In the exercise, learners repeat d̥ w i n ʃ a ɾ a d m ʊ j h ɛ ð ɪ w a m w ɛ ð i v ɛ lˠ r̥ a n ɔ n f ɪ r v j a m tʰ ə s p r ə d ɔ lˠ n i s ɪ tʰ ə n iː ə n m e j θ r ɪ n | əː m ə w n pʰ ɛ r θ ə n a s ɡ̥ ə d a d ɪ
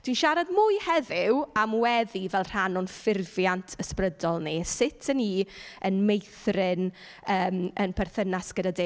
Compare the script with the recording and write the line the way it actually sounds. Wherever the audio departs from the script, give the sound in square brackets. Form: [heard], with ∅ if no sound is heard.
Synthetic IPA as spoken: d̥ w i n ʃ a ɾ a d m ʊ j h ɛ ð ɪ w a m w ɛ ð i v ɛ lˠ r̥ a n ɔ n f ɪ r v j a [n] tʰ ə s p r ə d ɔ lˠ n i s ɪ tʰ ə n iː ə n m e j θ r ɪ n | əː m ə [∅] n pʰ ɛ r θ ə n a s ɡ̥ ə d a d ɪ